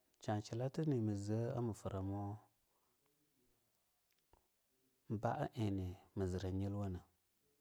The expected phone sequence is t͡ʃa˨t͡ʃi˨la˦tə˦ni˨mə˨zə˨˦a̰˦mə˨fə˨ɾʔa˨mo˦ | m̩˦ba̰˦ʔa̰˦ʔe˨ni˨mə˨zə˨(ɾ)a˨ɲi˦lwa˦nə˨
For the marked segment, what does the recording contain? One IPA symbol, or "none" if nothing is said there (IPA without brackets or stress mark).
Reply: ɾ